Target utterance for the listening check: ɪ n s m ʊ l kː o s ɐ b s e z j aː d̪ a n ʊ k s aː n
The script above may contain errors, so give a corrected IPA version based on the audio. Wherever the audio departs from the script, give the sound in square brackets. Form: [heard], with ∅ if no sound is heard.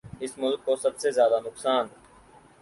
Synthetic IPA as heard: ɪ [∅] s m ʊ l kː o s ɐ b s e z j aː d̪ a n ʊ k s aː n